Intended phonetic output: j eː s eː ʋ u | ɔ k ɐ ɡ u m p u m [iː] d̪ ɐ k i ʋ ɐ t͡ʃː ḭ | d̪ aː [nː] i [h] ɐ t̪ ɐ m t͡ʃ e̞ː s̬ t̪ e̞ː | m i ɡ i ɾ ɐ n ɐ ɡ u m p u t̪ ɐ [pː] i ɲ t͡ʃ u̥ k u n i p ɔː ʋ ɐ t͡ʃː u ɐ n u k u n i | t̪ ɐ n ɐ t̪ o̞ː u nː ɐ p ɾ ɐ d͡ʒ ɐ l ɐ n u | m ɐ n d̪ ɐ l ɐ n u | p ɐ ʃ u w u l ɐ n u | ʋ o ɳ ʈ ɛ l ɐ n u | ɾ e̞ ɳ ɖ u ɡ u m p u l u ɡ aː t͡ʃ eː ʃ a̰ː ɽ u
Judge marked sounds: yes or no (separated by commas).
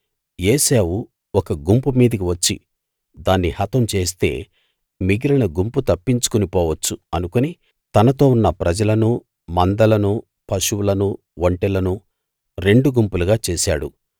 yes, yes, yes, yes